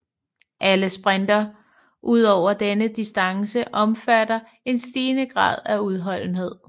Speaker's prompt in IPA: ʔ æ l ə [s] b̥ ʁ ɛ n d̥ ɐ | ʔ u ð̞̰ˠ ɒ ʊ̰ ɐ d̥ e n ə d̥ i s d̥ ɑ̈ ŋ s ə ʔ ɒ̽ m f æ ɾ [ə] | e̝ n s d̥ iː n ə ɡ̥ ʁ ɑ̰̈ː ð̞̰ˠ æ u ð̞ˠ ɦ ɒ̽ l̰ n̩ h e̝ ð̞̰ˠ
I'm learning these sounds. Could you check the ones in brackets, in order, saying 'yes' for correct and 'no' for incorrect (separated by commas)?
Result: yes, no